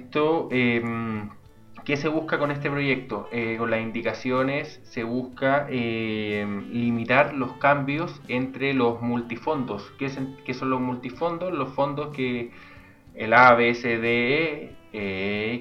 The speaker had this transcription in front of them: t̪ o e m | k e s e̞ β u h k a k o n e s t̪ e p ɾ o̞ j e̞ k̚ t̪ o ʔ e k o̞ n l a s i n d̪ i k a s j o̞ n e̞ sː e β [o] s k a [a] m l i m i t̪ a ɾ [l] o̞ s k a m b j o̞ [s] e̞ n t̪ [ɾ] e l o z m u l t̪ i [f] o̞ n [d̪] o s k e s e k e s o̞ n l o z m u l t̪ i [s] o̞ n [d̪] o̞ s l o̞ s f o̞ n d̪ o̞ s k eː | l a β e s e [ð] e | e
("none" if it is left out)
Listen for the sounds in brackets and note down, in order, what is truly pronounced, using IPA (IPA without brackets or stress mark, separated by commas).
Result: u, e, l, s, ɾ, f, d̪, f, d̪, ð